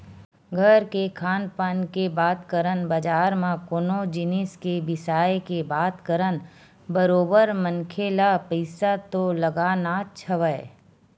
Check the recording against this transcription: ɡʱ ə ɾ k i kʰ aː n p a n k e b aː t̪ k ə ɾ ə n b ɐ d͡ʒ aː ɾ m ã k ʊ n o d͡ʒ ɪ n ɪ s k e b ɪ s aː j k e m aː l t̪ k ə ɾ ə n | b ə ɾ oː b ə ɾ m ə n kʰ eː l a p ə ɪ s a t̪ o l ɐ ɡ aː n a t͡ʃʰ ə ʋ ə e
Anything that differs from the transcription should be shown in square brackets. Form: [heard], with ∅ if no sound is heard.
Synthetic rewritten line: ɡʱ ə ɾ k [e] kʰ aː n p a n k e b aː t̪ k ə ɾ ə n b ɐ d͡ʒ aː ɾ m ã k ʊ n o d͡ʒ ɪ n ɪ s k e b ɪ s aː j k e [b] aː [∅] t̪ k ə ɾ ə n | b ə ɾ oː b ə ɾ m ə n kʰ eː l a p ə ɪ s a t̪ o l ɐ ɡ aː n a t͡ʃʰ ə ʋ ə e